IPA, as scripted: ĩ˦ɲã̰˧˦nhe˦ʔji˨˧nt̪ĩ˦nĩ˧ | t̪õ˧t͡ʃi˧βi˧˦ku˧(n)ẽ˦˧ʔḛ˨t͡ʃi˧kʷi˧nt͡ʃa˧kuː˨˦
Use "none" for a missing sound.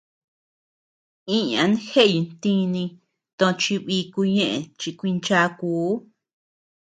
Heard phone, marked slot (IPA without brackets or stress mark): ɲ